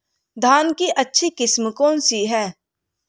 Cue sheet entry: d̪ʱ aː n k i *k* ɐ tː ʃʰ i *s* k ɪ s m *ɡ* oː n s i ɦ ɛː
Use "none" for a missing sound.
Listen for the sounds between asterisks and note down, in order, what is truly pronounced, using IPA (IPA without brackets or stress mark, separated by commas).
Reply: ʔ, none, k